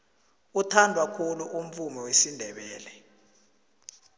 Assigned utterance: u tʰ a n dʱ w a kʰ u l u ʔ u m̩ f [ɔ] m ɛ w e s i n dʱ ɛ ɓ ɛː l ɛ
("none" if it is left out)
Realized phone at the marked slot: u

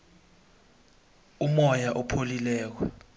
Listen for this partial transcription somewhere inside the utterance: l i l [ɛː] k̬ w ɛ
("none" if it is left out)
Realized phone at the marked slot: ɛː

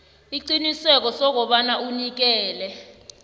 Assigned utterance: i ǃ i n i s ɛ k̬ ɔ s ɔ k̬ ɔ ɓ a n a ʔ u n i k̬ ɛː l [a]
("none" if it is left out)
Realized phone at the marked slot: ɛ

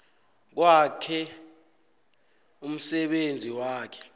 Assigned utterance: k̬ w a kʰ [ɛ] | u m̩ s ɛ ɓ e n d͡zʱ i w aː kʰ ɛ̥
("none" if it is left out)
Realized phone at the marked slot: ɛ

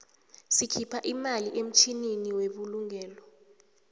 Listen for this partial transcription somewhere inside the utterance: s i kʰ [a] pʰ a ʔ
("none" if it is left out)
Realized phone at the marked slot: i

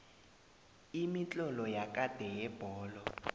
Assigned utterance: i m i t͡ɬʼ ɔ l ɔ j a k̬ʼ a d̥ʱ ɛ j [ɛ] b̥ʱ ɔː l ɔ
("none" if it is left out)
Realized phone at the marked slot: ɛ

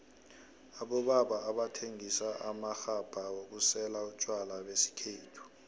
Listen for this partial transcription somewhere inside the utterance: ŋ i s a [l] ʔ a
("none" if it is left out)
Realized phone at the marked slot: none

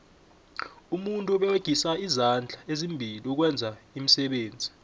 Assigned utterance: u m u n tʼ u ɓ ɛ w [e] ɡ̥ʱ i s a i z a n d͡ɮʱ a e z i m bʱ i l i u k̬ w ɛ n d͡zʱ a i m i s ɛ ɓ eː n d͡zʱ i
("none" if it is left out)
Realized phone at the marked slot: e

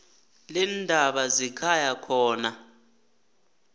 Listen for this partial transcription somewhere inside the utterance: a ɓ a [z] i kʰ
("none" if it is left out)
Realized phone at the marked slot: z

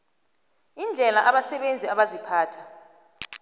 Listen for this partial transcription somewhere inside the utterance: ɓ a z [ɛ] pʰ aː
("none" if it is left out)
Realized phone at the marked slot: i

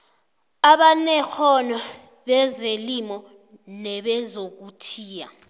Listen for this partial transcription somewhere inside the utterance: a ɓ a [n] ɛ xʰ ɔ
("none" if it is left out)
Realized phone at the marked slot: n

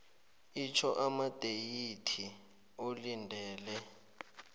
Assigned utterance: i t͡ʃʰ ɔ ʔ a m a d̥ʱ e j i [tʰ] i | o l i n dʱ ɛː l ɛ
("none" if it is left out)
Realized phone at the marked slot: tʰ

